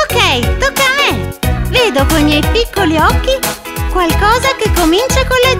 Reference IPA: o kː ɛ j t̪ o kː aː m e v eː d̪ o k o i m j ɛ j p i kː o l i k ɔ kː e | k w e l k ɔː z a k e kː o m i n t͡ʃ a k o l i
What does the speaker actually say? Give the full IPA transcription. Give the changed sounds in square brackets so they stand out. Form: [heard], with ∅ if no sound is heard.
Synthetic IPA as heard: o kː ɛ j t̪ o kː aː m e v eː d̪ o k o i m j ɛ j p i kː o l i [∅] ɔ kː [i] | k w [a] l k ɔː z a k e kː o m i n t͡ʃ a k o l [e]